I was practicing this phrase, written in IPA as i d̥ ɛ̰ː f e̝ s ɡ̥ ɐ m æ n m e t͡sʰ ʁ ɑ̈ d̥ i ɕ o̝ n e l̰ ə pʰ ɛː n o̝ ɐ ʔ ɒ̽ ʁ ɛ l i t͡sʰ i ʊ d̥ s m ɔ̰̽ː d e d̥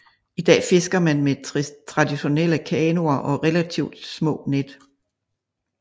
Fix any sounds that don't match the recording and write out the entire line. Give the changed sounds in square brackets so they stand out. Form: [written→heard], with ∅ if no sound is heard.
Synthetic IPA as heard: i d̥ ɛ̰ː f e̝ s ɡ̥ ɐ m æ n m e t͡sʰ ʁ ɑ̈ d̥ i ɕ o̝ n e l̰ ə [pʰ→kʰ] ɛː n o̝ ɐ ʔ ɒ̽ ʁ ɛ l [i→æ] t͡sʰ i ʊ d̥ s m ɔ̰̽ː [d→n] e d̥

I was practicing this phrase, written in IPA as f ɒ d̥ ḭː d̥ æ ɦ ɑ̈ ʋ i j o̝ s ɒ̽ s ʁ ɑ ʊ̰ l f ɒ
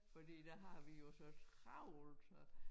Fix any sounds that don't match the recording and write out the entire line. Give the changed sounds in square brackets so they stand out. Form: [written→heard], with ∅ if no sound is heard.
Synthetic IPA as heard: f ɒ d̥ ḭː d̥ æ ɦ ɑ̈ ʋ i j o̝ s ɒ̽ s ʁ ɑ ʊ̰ l [f→s] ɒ

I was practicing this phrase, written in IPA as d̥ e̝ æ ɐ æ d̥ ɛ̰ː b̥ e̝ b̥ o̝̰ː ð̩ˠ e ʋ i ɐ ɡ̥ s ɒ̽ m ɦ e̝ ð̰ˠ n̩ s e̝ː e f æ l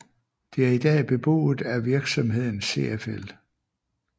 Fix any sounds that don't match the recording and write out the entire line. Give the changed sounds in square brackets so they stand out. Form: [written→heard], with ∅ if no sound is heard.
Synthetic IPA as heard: d̥ e̝ æ ɐ [æ→i] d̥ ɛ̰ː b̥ e̝ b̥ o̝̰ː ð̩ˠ [e→æ] ʋ i ɐ ɡ̥ s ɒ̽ m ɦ e̝ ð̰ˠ n̩ s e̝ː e f [æ→e] l

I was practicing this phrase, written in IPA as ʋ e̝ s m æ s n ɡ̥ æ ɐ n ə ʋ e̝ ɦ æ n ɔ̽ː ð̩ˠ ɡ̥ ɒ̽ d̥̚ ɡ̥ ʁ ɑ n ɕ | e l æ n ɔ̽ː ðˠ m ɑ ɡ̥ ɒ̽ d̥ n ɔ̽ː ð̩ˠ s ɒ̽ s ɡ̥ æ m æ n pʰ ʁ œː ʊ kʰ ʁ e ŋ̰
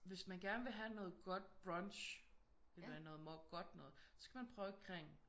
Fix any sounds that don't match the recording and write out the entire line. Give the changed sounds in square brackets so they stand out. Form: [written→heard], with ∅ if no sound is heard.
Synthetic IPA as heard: ʋ e̝ s m æ [s→∅] n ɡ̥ æ ɐ n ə ʋ e̝ ɦ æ n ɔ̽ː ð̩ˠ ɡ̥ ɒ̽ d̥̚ [ɡ̥→b̥] ʁ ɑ n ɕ | e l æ n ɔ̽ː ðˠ m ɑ ɡ̥ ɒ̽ d̥ n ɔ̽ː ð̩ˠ s ɒ̽ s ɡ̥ æ m æ n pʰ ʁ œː ʊ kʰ ʁ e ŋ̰

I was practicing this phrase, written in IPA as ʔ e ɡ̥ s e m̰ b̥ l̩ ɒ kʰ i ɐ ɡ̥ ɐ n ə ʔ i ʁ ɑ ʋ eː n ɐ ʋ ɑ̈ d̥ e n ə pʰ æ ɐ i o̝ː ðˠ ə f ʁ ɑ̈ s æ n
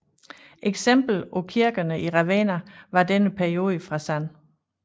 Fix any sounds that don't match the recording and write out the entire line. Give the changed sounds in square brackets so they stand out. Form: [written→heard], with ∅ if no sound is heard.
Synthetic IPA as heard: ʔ e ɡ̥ s e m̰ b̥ l̩ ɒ kʰ i ɐ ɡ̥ ɐ n ə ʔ i ʁ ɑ ʋ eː n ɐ ʋ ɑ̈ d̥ e n ə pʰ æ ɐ i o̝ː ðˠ ə f ʁ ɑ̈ s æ n

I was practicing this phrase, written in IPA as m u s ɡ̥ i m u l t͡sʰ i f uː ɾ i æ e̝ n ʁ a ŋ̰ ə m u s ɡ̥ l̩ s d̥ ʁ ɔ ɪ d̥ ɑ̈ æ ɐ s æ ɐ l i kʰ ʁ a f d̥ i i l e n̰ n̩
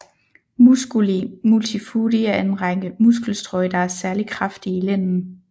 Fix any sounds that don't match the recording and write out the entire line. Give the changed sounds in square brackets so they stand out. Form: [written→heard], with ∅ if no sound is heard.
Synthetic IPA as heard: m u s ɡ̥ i m u l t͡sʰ i f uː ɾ i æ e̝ n ʁ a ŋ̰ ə m u s ɡ̥ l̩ s d̥ ʁ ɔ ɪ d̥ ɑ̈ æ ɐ s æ ɐ l i kʰ ʁ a f d̥ i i l e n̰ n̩

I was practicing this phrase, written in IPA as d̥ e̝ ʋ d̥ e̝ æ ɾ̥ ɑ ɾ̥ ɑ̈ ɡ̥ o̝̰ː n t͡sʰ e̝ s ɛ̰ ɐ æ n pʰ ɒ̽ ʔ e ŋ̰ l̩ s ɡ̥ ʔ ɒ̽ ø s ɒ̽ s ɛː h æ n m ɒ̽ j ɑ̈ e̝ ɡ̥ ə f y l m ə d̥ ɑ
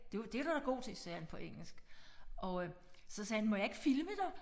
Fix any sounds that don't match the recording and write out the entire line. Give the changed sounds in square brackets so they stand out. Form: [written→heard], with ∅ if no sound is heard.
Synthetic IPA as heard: d̥ e̝ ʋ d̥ e̝ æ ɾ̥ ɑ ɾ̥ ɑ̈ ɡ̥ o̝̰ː [n→∅] t͡sʰ e̝ s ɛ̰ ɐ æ n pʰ ɒ̽ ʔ e ŋ̰ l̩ s ɡ̥ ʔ ɒ̽ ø s ɒ̽ s ɛː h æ n m ɒ̽ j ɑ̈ e̝ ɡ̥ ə f [y→i] l m ə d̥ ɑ

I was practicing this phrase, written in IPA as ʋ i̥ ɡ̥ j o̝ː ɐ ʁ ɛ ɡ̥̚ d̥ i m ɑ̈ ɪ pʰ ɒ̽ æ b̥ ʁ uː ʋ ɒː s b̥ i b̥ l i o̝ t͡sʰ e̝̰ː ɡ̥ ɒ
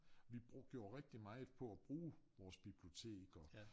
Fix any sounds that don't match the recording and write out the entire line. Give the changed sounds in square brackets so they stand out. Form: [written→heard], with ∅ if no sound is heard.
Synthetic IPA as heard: ʋ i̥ ɡ̥ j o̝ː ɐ ʁ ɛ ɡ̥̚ d̥ i m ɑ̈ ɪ pʰ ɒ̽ æ b̥ ʁ uː ʋ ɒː s b̥ i b̥ l i o̝ t͡sʰ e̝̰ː ɡ̥ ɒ

